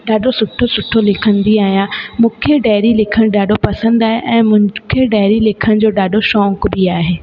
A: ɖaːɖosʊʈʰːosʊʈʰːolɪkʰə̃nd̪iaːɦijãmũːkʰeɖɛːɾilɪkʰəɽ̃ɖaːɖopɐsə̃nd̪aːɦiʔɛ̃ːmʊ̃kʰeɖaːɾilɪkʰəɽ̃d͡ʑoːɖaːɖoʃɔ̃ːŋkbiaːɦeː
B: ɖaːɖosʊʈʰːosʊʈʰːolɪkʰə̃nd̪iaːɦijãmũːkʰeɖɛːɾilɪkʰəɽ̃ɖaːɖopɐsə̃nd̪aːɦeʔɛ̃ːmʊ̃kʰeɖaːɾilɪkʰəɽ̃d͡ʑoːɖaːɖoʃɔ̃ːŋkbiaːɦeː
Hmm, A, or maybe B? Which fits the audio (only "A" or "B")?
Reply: B